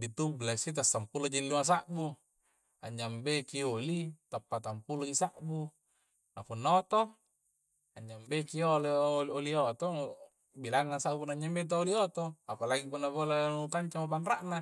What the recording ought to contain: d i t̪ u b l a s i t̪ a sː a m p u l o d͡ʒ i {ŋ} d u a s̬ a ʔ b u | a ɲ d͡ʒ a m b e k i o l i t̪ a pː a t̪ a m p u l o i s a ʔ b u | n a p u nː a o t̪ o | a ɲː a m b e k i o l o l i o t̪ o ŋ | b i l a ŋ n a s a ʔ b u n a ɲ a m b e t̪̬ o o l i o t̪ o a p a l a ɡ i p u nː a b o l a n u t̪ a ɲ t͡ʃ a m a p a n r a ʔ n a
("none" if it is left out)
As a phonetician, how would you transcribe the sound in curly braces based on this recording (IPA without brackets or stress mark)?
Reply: n